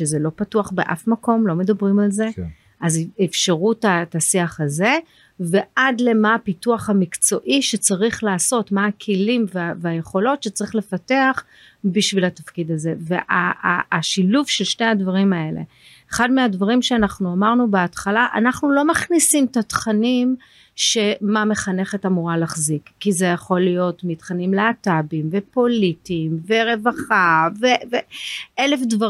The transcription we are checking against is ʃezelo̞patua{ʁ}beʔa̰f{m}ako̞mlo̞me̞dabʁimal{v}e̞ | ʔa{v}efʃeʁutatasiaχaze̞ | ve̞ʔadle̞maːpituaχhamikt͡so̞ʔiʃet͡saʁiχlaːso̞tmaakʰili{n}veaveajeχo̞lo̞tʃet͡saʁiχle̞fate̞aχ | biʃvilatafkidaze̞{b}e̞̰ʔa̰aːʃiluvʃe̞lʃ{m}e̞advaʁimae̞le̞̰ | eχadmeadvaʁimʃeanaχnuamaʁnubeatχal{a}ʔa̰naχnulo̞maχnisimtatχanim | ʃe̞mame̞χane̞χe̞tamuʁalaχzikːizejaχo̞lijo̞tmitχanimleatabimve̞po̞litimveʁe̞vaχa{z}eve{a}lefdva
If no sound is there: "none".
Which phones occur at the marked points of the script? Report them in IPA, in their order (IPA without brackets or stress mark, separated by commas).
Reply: χ, m, z, z, m, v, n, a, v, e